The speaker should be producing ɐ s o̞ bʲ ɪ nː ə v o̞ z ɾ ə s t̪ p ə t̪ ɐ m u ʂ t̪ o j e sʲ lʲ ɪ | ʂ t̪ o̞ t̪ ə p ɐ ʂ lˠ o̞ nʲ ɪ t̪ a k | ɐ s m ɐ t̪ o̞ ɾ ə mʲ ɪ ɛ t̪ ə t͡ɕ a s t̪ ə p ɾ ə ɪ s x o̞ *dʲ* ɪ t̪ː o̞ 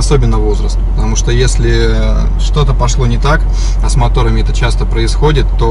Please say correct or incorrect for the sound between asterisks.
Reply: correct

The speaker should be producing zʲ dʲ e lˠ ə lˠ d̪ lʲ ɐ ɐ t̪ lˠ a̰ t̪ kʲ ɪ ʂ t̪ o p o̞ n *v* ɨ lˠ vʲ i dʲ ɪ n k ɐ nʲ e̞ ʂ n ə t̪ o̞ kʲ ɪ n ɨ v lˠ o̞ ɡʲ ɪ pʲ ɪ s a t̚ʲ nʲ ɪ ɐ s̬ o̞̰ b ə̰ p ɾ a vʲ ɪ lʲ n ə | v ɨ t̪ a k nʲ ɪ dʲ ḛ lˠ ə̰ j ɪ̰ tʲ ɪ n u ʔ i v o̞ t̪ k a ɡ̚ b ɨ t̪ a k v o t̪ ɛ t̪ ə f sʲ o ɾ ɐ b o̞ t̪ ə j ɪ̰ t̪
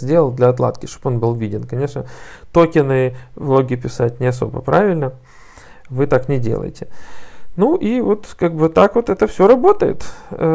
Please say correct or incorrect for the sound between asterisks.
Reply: incorrect: b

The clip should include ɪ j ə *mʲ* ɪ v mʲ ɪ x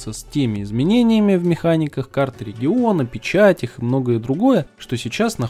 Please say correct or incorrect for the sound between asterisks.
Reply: correct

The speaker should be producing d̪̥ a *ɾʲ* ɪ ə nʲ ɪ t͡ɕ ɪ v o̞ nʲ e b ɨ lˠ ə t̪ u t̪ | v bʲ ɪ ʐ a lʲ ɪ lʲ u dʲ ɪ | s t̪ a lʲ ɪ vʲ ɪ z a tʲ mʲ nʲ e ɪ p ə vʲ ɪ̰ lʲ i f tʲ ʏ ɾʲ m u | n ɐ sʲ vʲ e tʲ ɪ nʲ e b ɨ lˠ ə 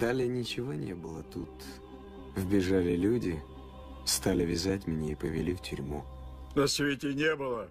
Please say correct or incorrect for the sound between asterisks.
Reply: incorrect: lʲ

